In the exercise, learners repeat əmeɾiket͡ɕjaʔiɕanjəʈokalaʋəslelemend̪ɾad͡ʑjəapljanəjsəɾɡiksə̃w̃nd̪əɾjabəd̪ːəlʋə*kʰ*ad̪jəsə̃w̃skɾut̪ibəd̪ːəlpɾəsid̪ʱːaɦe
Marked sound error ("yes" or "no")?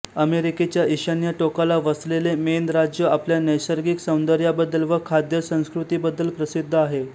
no